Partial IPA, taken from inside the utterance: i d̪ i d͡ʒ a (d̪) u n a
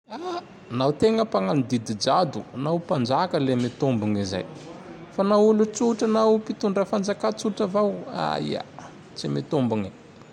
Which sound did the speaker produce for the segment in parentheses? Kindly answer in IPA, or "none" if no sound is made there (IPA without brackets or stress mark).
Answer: d̪